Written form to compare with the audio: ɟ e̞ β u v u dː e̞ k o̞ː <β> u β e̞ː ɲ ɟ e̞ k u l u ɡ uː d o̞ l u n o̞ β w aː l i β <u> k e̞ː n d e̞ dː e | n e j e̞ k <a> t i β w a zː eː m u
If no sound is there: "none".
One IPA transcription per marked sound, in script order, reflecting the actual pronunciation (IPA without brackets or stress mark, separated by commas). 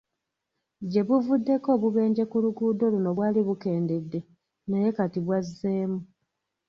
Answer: β, u, a